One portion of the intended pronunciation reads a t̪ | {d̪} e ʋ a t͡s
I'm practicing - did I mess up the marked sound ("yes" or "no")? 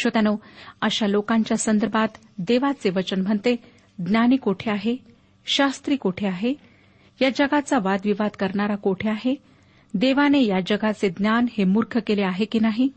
no